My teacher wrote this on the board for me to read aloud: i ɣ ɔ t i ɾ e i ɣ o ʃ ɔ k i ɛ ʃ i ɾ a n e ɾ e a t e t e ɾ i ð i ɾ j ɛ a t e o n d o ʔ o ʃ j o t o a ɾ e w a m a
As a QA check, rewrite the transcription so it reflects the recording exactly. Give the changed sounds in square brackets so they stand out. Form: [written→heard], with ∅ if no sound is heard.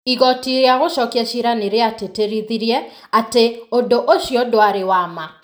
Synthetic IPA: i ɣ ɔ t i ɾ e [i→a] ɣ o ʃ ɔ k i ɛ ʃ i ɾ a n e ɾ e a t e t e ɾ i ð i ɾ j ɛ a t e o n d o ʔ o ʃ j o [t→d] o a ɾ e w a m a